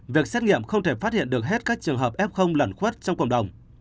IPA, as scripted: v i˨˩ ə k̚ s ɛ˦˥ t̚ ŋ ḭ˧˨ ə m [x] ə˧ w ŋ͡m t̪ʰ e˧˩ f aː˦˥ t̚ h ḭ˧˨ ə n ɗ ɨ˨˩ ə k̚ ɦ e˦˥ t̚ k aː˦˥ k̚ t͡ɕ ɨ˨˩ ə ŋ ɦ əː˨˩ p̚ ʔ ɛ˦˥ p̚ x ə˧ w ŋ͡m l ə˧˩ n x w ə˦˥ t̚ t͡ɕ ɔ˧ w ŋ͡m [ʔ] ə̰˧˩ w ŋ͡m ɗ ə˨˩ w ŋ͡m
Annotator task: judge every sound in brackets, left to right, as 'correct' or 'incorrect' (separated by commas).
correct, incorrect